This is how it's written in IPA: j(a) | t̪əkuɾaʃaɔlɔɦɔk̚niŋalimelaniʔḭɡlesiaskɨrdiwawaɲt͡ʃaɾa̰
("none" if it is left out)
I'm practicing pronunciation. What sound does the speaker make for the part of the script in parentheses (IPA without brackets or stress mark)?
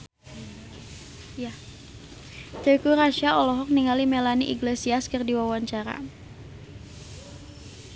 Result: a